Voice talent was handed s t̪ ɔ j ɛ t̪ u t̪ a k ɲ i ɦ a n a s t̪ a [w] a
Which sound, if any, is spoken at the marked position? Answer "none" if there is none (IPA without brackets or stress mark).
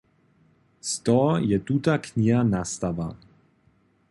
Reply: v